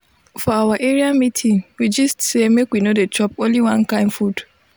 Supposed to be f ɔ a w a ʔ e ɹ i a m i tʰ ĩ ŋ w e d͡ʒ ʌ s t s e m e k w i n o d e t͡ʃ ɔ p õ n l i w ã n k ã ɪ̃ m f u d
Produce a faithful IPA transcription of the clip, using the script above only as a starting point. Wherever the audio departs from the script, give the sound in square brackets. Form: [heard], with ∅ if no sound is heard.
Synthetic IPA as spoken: f ɔ a w a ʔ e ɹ i a m i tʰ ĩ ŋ w [i] d͡ʒ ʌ s t s e m e k w i n o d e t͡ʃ ɔ p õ n l i w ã n k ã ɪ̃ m f u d